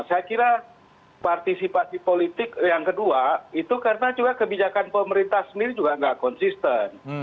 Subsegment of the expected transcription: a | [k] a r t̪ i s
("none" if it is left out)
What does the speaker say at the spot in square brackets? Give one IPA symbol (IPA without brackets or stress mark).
p